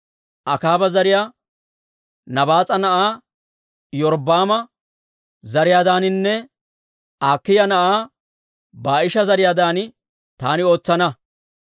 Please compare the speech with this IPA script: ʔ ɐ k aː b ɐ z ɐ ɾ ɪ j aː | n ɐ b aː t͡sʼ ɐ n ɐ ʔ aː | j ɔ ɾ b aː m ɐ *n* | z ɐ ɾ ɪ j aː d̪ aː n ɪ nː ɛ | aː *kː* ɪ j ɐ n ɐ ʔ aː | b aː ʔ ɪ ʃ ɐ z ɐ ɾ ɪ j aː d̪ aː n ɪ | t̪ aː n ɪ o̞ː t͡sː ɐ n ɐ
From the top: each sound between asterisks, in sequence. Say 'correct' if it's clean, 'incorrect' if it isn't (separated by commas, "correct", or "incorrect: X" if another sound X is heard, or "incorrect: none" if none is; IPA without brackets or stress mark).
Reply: incorrect: none, correct